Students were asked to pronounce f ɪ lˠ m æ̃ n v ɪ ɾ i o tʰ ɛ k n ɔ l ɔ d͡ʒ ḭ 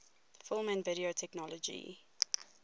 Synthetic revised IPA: f ɪ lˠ m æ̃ n v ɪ ɾ i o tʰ ɛ k n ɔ l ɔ d͡ʒ ḭ